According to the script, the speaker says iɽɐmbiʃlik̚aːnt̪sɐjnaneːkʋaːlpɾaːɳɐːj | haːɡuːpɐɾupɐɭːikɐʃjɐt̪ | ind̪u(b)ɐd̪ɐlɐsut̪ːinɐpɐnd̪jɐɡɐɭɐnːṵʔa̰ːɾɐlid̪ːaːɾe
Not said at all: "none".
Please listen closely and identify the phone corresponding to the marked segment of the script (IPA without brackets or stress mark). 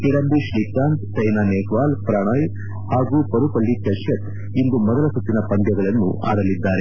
m